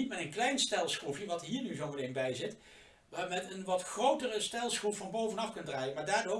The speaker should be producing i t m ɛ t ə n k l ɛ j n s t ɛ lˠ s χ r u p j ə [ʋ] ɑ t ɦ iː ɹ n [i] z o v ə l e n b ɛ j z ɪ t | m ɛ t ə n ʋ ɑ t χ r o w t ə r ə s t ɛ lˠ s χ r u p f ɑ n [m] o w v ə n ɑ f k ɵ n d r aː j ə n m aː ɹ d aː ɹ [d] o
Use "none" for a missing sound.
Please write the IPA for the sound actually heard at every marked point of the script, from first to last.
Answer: ʋ, y, b, d

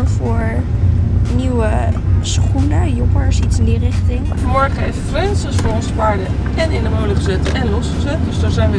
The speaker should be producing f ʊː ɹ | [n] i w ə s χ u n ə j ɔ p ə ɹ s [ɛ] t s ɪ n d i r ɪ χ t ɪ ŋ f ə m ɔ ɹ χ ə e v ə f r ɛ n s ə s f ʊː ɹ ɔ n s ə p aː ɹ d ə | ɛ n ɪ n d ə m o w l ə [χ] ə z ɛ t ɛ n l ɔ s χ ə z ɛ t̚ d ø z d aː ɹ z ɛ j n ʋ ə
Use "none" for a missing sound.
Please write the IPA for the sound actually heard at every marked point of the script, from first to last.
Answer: n, i, χ

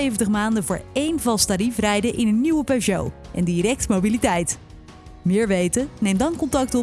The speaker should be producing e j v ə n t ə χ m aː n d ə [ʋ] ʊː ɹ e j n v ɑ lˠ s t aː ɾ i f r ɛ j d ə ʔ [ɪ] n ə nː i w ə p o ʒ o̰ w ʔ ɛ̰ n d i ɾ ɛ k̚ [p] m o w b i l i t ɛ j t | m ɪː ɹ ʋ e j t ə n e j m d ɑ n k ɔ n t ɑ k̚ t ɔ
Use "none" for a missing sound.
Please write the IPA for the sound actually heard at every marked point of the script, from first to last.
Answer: v, ɪ, t

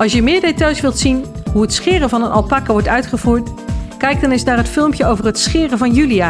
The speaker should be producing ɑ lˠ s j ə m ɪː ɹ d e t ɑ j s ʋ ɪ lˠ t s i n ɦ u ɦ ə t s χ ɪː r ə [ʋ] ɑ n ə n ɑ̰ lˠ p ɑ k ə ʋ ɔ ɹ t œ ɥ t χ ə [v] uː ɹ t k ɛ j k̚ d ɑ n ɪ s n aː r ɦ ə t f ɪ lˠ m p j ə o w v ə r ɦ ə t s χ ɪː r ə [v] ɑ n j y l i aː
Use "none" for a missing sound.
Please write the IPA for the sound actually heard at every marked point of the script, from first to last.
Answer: v, v, v

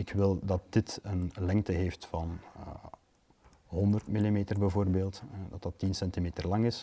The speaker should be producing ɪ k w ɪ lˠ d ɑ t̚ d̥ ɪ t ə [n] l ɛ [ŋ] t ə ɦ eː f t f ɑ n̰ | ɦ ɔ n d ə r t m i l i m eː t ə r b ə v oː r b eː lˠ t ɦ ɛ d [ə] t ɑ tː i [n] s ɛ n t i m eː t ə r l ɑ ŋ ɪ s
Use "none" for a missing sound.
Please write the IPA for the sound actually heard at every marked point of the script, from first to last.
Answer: n, ŋ, ɑ, n

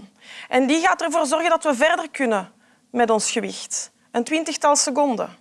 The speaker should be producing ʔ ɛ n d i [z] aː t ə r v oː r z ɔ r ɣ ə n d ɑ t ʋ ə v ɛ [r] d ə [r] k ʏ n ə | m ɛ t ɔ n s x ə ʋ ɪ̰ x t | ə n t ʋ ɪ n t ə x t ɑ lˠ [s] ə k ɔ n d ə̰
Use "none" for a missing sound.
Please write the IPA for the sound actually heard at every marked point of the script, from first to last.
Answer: ɣ, r, r, s

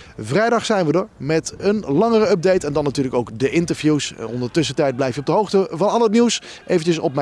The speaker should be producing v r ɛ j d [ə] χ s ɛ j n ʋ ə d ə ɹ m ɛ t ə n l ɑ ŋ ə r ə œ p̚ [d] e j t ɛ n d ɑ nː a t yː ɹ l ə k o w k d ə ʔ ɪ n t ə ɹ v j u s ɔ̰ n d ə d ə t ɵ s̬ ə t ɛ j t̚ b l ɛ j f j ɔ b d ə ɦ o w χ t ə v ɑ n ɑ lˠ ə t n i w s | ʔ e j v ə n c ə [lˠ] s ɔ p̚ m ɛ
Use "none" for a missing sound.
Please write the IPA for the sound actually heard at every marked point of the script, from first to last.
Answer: ɑ, d, none

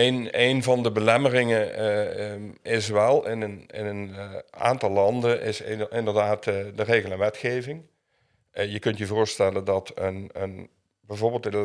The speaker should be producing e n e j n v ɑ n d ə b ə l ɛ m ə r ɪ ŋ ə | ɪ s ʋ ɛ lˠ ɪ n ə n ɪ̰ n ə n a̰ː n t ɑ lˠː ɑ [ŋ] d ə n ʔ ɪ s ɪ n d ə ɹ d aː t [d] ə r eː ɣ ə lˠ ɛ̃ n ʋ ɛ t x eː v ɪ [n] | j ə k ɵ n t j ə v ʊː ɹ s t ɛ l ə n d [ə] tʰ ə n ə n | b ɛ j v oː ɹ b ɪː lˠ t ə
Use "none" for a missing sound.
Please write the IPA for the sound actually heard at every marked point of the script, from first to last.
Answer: n, d, ŋ, ɑ

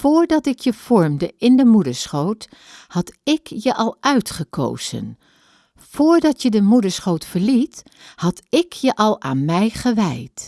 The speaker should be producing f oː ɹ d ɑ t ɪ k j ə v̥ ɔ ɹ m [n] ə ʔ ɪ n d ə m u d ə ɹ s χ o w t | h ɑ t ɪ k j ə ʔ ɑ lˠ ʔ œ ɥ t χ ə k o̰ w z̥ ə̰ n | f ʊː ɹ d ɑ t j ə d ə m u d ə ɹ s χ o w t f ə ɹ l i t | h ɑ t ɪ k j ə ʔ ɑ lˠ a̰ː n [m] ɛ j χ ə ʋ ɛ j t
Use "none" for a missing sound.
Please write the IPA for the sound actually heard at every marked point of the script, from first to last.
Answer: d, m

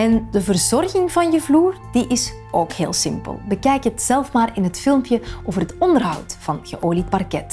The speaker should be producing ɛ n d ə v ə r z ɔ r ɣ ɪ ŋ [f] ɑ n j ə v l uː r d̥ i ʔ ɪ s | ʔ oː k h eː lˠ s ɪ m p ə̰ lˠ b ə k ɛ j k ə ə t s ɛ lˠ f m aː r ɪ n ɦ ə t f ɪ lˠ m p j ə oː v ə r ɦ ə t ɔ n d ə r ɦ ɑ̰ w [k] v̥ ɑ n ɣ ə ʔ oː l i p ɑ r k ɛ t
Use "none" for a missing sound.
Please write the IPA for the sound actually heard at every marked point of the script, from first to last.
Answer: v, t

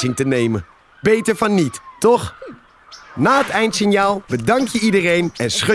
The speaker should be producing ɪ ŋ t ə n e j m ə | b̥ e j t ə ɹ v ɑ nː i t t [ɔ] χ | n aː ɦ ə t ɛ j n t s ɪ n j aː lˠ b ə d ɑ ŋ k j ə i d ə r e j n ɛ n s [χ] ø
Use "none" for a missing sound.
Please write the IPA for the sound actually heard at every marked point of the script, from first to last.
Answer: ɔ, χ

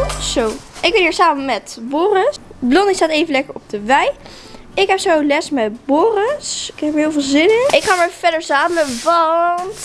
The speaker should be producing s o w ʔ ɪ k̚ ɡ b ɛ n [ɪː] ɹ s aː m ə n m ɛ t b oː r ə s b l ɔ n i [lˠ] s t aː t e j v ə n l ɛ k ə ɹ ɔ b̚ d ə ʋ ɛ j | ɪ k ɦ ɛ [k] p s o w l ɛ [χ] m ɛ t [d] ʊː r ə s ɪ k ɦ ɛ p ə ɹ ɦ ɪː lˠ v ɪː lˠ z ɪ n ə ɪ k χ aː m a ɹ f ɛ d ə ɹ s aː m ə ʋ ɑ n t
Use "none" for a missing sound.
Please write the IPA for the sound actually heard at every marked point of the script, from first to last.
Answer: iː, none, none, s, b

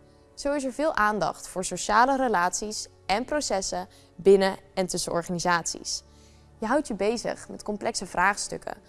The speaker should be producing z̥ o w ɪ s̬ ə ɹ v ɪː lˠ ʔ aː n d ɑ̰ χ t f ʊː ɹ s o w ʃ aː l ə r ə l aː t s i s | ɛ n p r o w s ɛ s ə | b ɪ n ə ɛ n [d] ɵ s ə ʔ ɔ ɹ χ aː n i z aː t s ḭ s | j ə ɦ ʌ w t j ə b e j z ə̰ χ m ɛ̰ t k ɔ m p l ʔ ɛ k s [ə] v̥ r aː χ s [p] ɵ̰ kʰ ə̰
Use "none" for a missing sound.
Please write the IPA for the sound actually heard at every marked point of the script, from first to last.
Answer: t, ə, t

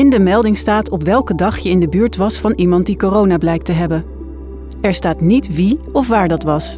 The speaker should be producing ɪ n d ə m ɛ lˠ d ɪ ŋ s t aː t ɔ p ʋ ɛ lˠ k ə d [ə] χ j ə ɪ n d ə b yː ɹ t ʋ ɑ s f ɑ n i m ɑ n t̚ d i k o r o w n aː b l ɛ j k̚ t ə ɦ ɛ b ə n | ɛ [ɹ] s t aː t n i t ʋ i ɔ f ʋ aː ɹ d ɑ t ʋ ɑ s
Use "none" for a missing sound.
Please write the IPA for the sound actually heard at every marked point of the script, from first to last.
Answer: ɑ, ɹ

